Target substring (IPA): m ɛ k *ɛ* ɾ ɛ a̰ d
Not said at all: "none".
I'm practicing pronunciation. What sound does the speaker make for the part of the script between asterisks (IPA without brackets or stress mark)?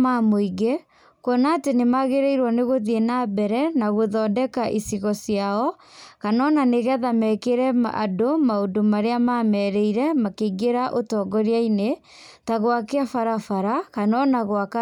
e